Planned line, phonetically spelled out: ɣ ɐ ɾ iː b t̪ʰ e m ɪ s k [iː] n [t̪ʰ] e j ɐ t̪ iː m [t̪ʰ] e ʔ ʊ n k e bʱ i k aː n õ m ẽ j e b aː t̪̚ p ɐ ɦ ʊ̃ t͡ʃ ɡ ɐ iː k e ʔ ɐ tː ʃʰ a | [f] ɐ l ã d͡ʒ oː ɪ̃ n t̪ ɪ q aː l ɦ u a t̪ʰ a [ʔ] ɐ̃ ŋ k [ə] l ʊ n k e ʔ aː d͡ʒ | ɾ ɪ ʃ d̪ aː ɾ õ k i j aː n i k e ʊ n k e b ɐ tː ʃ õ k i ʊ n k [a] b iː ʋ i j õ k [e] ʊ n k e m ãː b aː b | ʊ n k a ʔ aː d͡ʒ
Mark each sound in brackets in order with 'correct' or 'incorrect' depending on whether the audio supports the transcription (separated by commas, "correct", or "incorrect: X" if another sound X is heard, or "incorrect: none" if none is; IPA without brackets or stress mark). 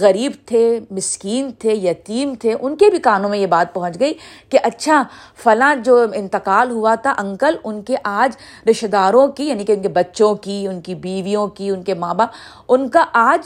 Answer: correct, correct, correct, correct, correct, correct, incorrect: i, incorrect: i